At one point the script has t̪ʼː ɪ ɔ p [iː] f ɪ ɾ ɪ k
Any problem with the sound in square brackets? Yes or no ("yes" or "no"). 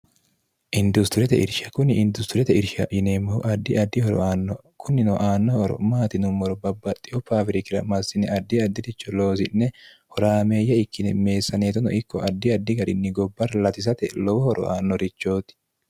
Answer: yes